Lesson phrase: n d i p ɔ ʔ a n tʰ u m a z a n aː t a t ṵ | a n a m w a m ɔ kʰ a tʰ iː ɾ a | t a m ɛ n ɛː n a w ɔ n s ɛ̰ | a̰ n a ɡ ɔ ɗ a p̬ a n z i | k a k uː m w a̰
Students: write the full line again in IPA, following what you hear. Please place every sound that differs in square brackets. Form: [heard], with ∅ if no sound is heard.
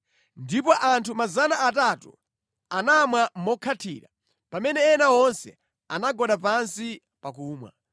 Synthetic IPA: n d i p ɔ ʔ a n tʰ u m a z a n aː t a t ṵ | a n a m w a m ɔ kʰ a tʰ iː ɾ a | [p] a m ɛ n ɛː n a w ɔ n s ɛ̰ | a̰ n a ɡ ɔ ɗ a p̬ a n [s] i | [p] a k uː m w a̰

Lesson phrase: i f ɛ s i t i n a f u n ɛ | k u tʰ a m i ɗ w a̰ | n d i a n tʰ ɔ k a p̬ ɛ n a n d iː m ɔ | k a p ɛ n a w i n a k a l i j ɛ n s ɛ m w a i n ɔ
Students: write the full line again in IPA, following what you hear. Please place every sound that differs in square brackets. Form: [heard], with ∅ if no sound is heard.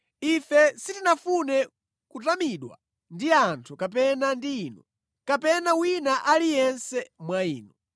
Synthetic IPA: i f ɛ s i t i n a f u n ɛ | k u [t] a m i ɗ w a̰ | n d i a n tʰ [u] k a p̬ ɛ n a n d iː [n] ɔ | k a p ɛ n a w i n a [ʔ] a l i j ɛ n s ɛ m w a [iː] n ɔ

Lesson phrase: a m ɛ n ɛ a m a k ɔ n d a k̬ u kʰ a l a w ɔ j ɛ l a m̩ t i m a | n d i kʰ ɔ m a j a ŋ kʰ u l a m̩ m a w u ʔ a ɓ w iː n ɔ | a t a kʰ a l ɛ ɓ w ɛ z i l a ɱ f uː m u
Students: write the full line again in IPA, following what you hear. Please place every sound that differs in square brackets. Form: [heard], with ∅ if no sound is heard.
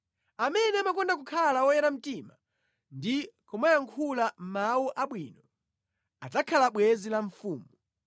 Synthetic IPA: a m ɛ n ɛ a m a k ɔ n d a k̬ u kʰ a l a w ɔ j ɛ [ɾ] a m̩ t i m a | n d i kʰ ɔ m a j a ŋ kʰ u l a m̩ m a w u ʔ a ɓ w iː n ɔ | a t a kʰ a l [a] ɓ w ɛ z i l a ɱ f uː m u

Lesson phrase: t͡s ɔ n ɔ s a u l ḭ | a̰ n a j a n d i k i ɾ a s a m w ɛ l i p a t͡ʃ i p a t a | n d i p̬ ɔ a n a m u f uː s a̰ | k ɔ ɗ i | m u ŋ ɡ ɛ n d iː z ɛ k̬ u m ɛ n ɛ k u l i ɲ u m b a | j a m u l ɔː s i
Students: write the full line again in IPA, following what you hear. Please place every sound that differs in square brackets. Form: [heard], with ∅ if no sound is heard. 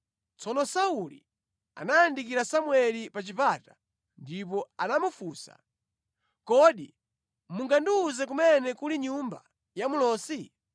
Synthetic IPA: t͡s ɔ n ɔ s a u l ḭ | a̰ n a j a n d i k i ɾ a s a m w ɛ l i p a t͡ʃ i p a t a | n d i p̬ ɔ a n a m u f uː s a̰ | k ɔ ɗ i | m u ŋ ɡ [a] n d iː z ɛ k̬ u m ɛ n ɛ k u l i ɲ u m b a | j a m u l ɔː s i

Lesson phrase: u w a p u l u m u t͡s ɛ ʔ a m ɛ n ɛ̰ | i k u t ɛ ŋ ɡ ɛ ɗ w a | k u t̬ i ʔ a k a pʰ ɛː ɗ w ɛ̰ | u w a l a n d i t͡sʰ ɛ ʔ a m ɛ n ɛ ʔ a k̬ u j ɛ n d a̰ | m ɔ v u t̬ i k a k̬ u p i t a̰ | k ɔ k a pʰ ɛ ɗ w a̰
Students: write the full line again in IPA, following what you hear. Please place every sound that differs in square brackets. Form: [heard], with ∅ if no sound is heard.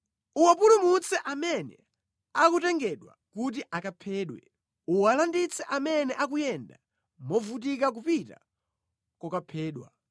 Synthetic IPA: u w a p u l u m u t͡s ɛ ʔ a m ɛ n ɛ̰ | [a] k u t ɛ ŋ ɡ ɛ ɗ w a | k u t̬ i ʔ a k a pʰ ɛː ɗ w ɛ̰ | u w a l a n d i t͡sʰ ɛ ʔ a m ɛ n ɛ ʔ a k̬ u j ɛ n d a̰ | m ɔ v u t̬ i k a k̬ u p i t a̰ | k ɔ k a pʰ [ɛː] ɗ w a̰

